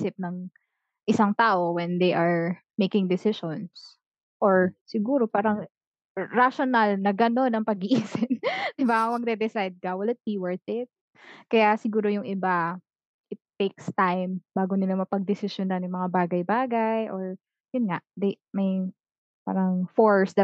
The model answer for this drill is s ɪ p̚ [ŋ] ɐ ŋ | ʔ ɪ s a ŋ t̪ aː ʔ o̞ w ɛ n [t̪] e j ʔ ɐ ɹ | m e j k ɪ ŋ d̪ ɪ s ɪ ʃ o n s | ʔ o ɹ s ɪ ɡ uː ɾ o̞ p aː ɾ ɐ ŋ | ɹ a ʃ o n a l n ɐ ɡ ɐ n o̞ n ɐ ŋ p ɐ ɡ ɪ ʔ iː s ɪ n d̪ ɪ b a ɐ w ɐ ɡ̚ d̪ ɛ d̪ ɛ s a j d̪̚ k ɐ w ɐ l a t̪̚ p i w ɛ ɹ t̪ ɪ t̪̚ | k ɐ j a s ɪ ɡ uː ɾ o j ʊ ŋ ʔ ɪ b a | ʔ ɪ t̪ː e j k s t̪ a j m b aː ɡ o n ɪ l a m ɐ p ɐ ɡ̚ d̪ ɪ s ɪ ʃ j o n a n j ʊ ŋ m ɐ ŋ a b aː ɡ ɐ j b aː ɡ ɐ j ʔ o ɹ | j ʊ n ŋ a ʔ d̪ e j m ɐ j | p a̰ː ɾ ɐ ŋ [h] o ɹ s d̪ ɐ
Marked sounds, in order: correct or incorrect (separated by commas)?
incorrect, incorrect, incorrect